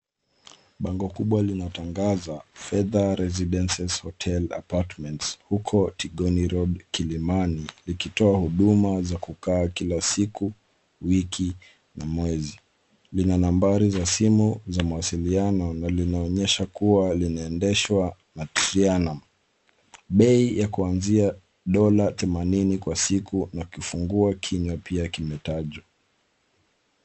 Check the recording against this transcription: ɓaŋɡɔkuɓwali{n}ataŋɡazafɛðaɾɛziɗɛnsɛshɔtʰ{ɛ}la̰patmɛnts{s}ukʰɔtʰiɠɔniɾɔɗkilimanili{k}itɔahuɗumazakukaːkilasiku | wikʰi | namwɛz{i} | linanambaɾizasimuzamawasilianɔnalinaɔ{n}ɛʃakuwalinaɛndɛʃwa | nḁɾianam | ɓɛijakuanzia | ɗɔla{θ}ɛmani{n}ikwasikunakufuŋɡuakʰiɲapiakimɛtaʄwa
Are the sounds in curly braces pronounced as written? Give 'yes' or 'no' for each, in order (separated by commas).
yes, yes, no, yes, yes, no, yes, yes